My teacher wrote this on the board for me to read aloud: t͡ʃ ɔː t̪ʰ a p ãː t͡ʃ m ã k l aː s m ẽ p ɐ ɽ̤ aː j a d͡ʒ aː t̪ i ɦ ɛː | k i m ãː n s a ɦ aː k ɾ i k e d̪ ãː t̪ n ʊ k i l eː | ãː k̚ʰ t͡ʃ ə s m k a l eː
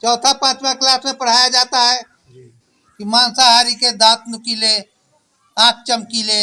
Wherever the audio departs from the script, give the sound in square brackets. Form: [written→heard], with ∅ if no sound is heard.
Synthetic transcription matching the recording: t͡ʃ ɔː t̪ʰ a p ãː t͡ʃ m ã k l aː s m ẽ p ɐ ɽ̤ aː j a d͡ʒ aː t̪ [i→a] ɦ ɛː | k i m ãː n s a ɦ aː [k→∅] ɾ i k e d̪ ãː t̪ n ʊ k i l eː | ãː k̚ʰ t͡ʃ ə [s→∅] m k [a→i] l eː